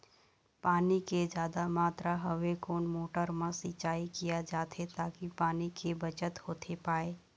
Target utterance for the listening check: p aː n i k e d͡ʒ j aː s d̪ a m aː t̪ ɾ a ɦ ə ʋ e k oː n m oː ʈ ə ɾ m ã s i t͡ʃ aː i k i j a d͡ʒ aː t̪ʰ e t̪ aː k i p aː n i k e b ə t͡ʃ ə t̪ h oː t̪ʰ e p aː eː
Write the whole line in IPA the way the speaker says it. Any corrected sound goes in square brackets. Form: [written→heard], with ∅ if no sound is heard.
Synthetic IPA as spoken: p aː n i k e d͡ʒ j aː [s→∅] d̪ a m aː t̪ ɾ a ɦ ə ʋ e k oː n m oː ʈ ə ɾ m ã s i t͡ʃ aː i k i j a d͡ʒ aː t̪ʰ e t̪ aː k i p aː n i k e b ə t͡ʃ ə t̪ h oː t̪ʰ e p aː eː